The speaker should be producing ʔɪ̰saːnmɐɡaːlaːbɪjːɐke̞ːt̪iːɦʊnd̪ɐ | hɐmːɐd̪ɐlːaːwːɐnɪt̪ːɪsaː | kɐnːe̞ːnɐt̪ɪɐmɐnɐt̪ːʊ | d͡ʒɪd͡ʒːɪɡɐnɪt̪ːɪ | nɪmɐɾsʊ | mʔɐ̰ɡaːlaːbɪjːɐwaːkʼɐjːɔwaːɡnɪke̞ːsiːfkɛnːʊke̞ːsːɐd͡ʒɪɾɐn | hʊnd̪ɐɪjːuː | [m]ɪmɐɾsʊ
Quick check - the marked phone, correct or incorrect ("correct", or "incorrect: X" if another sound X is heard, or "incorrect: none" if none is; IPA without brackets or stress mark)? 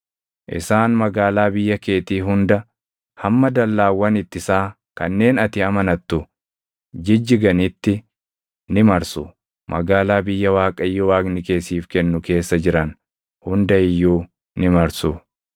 incorrect: n